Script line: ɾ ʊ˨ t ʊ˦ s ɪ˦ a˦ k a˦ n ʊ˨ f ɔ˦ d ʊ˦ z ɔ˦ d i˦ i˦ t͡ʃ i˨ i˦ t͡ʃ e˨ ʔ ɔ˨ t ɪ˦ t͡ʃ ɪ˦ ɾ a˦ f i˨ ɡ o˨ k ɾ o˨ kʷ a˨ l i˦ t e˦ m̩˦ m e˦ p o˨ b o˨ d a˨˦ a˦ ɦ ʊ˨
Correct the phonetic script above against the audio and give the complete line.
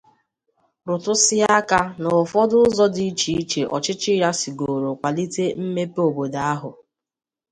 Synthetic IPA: ɾ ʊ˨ t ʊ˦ s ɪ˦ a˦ k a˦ n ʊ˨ f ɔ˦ d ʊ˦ z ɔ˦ d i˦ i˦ t͡ʃ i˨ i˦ t͡ʃ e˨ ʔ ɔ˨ t͡ʃ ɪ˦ t͡ʃ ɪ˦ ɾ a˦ s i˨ ɡ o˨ ɾ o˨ kʷ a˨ l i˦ t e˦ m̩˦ m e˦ p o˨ b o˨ d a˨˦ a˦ ɦ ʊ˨

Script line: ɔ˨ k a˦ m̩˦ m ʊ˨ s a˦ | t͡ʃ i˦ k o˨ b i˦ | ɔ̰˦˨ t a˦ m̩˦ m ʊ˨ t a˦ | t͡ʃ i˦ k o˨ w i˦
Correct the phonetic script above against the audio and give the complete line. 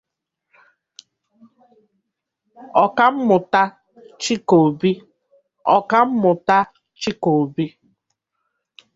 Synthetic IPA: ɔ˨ k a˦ m̩˦ m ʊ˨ t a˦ | t͡ʃ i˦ k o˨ b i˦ | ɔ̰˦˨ k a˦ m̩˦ m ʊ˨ t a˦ | t͡ʃ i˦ k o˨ b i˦

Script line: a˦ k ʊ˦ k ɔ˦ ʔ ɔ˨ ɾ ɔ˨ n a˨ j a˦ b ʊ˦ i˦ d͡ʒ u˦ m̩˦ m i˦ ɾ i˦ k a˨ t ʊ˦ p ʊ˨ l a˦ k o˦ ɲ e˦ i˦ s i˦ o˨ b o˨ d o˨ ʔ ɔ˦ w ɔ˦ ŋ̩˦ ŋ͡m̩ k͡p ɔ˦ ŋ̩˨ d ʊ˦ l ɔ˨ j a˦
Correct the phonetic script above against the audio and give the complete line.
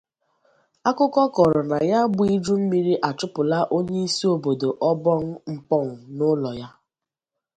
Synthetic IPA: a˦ k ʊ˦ k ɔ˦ k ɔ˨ ɾ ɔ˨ n a˨ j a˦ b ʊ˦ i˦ d͡ʒ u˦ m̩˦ m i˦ ɾ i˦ ʔ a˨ t͡ʃ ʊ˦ p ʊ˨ l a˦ ʔ o˦ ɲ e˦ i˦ s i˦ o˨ b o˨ d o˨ ʔ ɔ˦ b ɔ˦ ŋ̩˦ ŋ͡m̩ k͡p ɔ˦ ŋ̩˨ n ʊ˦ l ɔ˨ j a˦

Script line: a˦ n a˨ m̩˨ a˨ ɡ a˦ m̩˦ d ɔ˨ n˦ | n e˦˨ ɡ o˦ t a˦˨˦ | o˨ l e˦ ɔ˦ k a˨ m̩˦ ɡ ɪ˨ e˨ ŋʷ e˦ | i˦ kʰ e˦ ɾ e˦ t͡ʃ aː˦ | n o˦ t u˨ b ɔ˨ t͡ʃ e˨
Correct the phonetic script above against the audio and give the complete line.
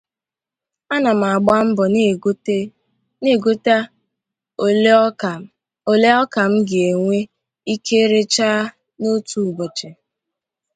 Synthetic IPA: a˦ n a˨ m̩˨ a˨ ɡ͡b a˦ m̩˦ b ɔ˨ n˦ | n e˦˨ ɡ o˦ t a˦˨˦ | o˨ l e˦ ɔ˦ k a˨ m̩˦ ɡ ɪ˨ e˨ ŋʷ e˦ | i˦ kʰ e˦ ɾ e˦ t͡ʃ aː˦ | n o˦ t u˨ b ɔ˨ t͡ʃ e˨

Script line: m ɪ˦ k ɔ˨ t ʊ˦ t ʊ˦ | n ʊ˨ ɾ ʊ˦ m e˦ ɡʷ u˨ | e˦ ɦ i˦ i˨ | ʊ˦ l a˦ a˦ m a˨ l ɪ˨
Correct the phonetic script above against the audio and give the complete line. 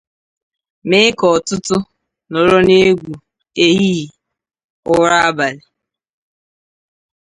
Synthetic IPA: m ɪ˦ k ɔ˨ t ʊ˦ t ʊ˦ | n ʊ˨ ɾ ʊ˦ n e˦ ɡʷ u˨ | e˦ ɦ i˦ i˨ | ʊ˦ ɾ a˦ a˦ b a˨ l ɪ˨

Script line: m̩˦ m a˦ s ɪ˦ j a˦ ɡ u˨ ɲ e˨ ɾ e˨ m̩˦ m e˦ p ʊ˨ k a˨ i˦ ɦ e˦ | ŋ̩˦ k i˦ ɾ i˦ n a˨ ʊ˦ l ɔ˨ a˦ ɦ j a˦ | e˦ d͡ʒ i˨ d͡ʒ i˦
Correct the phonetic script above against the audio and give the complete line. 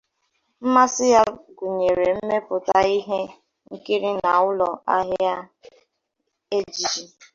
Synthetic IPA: m̩˦ m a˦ s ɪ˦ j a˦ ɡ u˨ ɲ e˨ ɾ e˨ m̩˦ m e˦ p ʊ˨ t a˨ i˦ ɦ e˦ | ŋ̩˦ k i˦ ɾ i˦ n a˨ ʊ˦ l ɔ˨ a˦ ɦ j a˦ | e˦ d͡ʒ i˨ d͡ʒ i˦

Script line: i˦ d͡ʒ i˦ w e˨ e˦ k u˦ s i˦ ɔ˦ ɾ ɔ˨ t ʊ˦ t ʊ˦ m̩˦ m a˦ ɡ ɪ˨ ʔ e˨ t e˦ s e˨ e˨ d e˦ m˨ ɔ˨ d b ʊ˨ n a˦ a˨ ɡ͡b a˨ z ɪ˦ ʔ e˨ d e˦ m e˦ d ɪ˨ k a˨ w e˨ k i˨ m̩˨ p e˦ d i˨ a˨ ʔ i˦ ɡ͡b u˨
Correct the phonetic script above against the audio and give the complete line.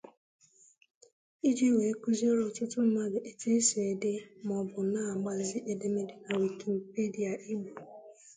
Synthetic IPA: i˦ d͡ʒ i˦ w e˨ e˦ k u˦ z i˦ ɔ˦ ɾ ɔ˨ t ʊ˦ t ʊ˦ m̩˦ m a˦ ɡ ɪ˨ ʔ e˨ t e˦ s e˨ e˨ d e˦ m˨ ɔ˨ b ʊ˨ n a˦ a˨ ɡ͡b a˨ z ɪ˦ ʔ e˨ d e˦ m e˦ d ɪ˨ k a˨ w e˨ k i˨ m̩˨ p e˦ d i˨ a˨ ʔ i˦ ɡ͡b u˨

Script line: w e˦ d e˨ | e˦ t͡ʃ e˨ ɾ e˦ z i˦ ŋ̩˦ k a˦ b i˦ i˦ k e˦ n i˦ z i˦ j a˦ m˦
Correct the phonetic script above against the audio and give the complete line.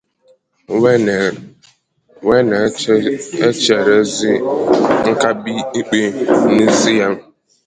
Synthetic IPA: w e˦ n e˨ | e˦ t͡ʃ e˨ ɾ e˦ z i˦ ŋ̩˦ k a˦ b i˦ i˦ k͡p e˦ n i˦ z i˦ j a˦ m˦

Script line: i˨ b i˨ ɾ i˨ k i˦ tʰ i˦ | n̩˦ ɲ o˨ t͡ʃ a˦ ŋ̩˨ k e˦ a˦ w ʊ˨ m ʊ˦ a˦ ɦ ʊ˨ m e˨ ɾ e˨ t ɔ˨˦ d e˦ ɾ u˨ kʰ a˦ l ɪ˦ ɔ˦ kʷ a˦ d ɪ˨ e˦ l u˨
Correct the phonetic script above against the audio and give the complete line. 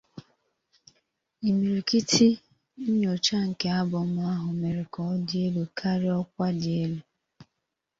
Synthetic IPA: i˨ m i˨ ɾ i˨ k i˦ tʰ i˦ | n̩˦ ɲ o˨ t͡ʃ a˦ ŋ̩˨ k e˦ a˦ b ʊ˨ m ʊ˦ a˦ ɦ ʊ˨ m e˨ ɾ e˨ k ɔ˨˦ d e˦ l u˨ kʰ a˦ ɾ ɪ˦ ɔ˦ kʷ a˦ d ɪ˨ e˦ l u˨

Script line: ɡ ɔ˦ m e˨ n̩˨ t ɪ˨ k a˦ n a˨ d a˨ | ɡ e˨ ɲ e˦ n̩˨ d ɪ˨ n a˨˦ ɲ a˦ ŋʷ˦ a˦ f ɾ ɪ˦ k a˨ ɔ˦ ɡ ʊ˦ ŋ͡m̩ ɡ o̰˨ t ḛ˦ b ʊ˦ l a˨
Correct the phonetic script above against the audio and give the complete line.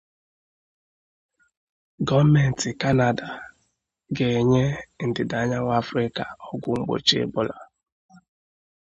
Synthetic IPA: ɡ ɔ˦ m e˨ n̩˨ t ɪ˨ k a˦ n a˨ d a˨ | ɡ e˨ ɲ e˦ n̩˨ d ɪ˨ d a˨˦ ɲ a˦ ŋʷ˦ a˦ f ɾ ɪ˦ k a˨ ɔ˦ ɡ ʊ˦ ŋ͡m̩ ɡ͡b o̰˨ t͡ʃ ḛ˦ b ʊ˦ l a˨

